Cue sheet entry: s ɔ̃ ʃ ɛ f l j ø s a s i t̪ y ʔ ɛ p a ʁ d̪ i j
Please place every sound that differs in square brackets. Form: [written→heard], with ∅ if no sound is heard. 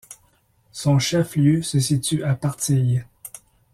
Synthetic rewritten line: s ɔ̃ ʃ ɛ f l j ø s [a→ə] s i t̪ y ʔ [ɛ→a] p a ʁ [d̪→t̪] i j